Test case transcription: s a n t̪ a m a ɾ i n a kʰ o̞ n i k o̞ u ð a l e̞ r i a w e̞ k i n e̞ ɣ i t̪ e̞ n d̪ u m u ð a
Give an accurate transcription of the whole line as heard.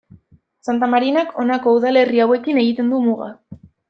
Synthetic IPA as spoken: s a n t̪ a m a ɾ i n a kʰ o̞ n a k o̞ u ð a l e̞ r i a w e̞ k i n e̞ ɣ i t̪ e̞ n d̪ u m u ɣ a